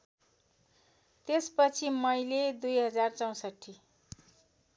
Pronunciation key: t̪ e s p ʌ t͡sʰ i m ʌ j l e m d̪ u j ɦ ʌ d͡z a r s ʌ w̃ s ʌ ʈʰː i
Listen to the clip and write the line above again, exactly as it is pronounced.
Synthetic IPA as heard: t̪ e s p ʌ t͡sʰ i m ʌ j l e d̪ u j ɦ ʌ d͡z a r t͡s ʌ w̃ s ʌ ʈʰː i

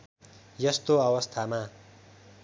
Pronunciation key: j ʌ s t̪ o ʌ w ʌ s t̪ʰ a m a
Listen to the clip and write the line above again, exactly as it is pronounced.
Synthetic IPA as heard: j ʌ s t̪ o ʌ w ʌ s t̪ʰ a m a

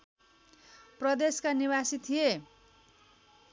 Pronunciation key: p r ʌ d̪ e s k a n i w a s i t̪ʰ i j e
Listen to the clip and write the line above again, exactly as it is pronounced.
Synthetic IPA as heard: p r ʌ d̪ e s k a n i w a s i t̪ʰ i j e

